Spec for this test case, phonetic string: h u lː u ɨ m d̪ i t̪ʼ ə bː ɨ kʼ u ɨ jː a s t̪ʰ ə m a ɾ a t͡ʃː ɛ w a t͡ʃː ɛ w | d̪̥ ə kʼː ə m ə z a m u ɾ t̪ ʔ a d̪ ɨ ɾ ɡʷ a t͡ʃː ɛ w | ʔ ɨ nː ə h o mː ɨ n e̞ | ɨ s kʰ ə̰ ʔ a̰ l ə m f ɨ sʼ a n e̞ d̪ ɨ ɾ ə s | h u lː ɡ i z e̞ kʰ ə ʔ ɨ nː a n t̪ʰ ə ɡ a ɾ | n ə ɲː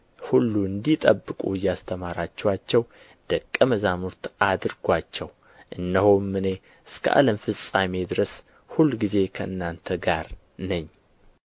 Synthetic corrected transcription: h u lː u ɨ n d̪ i t̪ʼ ə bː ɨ kʼ u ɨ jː a s t̪ʰ ə m a ɾ a t͡ʃː ɛ w a t͡ʃː ɛ w | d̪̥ ə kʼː ə m ə z a m u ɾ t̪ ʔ a d̪ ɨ ɾ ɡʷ a t͡ʃː ɛ w | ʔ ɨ nː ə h o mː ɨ n e̞ | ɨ s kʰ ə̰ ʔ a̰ l ə m f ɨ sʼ a m e̞ d̪ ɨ ɾ ə s | h u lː ɡ i z e̞ kʰ ə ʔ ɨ nː a n t̪ʰ ə ɡ a ɾ | n ə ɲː